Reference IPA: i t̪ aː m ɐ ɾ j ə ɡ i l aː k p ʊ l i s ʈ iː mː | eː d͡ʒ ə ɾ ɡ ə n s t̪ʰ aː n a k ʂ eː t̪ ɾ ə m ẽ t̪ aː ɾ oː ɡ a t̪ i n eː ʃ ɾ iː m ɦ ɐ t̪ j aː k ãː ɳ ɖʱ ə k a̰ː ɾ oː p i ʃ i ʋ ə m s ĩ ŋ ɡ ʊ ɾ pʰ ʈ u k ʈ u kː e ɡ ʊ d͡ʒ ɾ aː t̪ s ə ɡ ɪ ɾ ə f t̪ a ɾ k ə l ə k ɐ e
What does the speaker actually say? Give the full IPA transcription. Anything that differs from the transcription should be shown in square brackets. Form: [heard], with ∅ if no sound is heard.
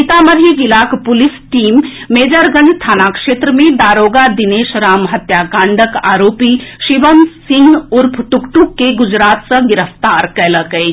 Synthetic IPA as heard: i t̪ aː m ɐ ɾ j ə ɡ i l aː k p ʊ l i s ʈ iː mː | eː d͡ʒ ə ɾ ɡ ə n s t̪ʰ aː n a k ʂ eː t̪ ɾ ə m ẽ [d̪] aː ɾ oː ɡ a [d̪] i n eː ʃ ɾ [aː] m ɦ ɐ t̪ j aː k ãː ɳ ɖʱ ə k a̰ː ɾ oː p i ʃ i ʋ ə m s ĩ ŋ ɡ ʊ ɾ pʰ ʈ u k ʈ u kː e ɡ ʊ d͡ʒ ɾ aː t̪ s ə ɡ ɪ ɾ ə f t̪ a ɾ k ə l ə k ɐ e